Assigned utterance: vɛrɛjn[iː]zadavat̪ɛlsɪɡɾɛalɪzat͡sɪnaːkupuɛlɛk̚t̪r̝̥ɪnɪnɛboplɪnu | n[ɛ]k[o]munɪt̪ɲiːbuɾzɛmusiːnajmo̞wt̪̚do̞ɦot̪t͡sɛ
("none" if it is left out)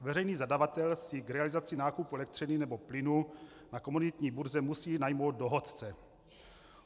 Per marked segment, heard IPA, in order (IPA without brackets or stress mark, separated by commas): iː, a, o